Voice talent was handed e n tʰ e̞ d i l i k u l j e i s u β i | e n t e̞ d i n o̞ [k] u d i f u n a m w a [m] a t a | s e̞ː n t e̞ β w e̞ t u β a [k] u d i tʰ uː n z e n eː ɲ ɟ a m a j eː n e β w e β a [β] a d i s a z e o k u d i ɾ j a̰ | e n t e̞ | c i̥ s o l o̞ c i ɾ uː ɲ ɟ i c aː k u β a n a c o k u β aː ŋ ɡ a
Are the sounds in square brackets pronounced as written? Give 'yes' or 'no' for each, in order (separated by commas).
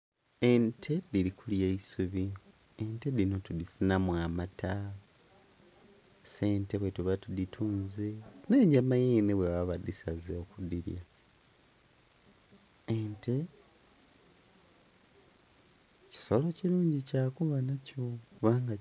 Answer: no, yes, no, yes